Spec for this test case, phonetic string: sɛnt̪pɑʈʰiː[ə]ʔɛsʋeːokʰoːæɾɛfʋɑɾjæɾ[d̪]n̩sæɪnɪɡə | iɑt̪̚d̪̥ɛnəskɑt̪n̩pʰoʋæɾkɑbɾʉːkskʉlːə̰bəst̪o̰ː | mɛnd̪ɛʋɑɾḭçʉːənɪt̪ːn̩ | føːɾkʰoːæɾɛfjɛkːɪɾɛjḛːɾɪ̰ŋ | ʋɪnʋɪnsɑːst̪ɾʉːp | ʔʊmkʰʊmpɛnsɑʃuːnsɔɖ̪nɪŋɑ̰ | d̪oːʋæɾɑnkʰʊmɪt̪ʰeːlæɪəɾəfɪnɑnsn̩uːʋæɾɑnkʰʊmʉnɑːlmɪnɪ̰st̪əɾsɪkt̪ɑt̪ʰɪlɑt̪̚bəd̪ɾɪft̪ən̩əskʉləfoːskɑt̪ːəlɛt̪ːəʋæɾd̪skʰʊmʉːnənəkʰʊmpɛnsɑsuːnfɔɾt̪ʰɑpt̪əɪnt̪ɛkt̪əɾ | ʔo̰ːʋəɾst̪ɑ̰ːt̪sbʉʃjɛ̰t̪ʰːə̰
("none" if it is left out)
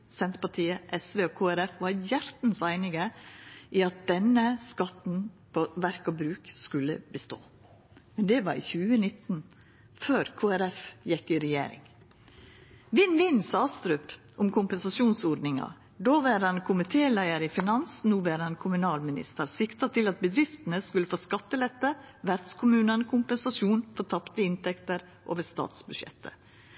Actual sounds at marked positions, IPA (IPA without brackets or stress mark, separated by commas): ə, t̪